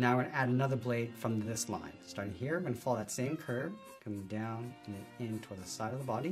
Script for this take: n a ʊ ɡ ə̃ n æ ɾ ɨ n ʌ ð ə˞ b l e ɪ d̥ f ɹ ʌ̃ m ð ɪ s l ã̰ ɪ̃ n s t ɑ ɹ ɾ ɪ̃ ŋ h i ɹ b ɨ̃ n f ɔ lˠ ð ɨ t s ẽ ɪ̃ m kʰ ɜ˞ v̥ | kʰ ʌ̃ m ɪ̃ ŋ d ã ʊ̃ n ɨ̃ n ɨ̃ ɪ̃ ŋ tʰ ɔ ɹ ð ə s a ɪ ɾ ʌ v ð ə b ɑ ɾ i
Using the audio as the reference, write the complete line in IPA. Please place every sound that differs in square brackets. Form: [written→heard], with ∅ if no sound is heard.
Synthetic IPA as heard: n a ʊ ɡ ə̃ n æ ɾ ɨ n ʌ ð ə˞ b l e ɪ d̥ f ɹ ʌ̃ m ð ɪ s l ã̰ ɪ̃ n s t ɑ ɹ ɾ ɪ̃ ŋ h i ɹ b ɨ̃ n f ɔ lˠ ð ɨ t s ẽ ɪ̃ m kʰ ɜ˞ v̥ | kʰ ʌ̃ m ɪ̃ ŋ d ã ʊ̃ n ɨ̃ n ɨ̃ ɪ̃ [ŋ→n] tʰ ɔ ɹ ð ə s a ɪ ɾ ʌ v ð ə b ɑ ɾ i